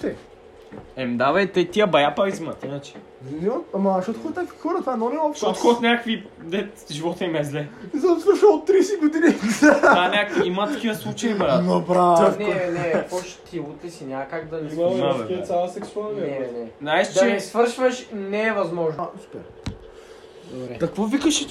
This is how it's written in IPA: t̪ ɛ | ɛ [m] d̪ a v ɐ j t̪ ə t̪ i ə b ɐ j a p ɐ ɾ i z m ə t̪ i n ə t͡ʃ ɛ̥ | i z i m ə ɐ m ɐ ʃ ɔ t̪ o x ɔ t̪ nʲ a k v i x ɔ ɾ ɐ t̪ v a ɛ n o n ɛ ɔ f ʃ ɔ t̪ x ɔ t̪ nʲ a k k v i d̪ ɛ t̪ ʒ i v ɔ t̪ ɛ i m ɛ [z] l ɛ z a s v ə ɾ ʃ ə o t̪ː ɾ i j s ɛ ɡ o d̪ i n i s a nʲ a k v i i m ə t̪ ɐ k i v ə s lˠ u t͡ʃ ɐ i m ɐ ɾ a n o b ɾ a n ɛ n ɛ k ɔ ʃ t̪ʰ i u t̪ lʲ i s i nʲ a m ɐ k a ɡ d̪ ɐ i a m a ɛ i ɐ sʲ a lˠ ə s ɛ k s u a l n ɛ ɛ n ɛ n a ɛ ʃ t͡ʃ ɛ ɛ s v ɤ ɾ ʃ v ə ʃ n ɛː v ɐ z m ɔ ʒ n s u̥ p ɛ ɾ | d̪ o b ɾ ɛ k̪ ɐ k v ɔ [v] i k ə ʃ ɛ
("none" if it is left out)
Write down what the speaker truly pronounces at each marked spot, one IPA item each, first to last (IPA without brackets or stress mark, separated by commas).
m, z, v